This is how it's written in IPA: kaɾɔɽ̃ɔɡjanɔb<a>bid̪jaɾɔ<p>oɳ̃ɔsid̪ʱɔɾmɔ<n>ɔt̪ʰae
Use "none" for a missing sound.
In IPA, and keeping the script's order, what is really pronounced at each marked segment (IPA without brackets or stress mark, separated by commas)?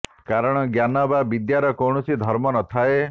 a, k, n